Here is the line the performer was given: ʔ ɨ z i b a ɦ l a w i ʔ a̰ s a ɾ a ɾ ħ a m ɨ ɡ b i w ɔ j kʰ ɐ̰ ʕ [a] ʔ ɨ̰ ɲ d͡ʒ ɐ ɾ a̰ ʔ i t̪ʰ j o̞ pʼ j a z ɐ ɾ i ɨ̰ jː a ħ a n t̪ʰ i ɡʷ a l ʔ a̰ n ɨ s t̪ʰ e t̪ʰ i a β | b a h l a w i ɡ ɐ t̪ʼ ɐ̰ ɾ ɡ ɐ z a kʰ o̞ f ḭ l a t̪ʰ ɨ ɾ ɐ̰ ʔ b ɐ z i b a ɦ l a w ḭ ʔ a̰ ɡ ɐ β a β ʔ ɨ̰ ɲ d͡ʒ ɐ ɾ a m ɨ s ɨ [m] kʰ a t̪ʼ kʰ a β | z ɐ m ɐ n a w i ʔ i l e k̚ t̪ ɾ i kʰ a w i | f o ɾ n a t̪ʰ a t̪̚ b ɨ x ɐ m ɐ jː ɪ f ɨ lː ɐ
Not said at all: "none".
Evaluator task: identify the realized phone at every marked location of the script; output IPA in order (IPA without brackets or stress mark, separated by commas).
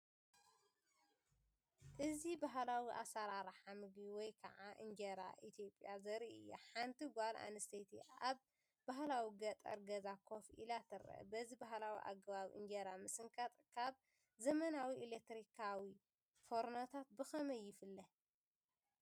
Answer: a, ŋ